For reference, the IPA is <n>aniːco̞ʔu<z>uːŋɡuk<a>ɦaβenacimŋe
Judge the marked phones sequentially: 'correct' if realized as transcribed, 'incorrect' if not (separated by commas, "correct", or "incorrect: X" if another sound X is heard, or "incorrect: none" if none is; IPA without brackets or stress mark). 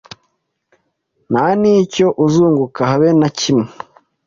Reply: correct, correct, correct